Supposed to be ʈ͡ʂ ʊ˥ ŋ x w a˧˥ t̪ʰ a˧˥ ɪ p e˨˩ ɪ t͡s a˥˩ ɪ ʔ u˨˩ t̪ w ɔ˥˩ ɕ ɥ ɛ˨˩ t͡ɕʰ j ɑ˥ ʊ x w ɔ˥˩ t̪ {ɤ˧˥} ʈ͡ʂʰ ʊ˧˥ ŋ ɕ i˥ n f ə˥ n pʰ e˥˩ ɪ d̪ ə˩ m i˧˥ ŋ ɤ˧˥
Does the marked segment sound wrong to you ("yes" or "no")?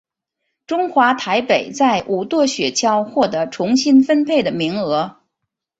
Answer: no